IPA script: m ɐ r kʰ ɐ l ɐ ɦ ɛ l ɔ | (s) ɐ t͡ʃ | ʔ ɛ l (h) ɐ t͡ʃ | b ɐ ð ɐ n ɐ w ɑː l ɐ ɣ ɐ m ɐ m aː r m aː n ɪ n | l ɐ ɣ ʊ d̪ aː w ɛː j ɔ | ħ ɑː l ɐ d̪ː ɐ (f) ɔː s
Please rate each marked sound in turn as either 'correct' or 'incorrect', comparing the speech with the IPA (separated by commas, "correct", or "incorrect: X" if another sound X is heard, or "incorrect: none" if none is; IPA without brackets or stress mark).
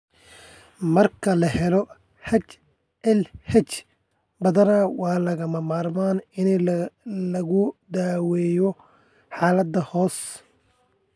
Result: incorrect: h, correct, incorrect: h